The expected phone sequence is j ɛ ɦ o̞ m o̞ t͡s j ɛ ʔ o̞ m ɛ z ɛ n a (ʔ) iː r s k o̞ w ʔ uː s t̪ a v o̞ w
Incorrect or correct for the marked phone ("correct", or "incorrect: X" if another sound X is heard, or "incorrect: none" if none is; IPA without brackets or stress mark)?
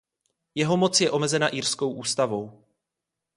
correct